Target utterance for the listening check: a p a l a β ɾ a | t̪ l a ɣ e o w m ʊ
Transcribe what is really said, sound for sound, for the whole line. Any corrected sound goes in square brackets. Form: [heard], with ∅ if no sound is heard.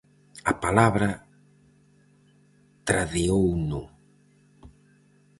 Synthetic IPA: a p a l a β ɾ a | t̪ [ɾ] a [ð] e o w [n] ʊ